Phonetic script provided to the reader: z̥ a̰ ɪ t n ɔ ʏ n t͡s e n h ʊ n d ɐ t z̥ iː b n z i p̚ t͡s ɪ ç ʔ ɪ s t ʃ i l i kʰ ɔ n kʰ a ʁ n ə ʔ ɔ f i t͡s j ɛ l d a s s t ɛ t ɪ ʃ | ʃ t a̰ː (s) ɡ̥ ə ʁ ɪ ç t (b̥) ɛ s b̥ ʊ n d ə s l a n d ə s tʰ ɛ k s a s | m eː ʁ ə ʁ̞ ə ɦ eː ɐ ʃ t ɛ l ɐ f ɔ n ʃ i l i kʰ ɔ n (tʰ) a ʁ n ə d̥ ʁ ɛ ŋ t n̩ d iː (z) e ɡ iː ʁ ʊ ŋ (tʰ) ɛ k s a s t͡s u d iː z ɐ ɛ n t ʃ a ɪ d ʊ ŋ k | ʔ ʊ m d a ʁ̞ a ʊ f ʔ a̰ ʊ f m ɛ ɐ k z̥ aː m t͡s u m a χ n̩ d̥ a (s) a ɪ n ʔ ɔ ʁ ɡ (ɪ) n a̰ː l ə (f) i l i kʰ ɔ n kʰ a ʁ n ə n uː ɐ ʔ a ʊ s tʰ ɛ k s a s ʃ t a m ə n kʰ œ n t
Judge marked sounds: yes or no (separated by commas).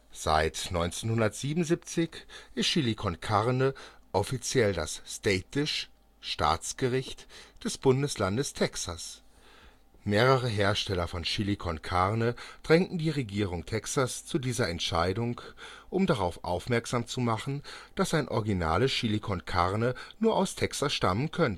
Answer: no, no, no, no, yes, yes, no, no